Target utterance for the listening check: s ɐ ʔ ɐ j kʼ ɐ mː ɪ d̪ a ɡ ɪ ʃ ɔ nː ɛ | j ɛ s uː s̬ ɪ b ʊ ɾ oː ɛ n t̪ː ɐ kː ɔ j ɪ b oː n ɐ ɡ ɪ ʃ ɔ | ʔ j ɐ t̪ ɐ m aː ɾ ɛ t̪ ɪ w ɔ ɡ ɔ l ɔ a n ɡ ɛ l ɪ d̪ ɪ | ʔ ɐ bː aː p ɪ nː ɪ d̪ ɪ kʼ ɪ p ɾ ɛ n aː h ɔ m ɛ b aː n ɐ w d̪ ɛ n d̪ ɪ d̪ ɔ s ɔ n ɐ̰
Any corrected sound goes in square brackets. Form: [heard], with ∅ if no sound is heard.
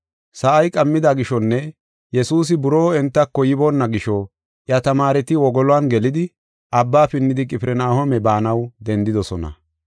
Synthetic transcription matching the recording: s ɐ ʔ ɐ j kʼ ɐ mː ɪ d̪ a ɡ ɪ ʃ ɔ nː ɛ | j ɛ s uː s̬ ɪ b ʊ ɾ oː ɛ n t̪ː ɐ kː ɔ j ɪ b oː [nː] ɐ ɡ ɪ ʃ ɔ | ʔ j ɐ t̪ ɐ m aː ɾ ɛ t̪ ɪ w ɔ ɡ ɔ l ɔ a n ɡ ɛ l ɪ d̪ ɪ | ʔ ɐ bː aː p ɪ nː ɪ d̪ ɪ kʼ ɪ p ɾ ɛ n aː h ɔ m ɛ b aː n ɐ w d̪ ɛ n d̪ ɪ d̪ ɔ s ɔ n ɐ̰